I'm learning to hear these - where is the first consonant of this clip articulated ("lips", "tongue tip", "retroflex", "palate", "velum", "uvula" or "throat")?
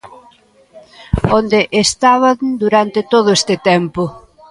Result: tongue tip